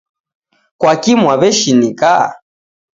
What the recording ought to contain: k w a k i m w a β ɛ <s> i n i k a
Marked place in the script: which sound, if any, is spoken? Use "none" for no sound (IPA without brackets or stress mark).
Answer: ʃ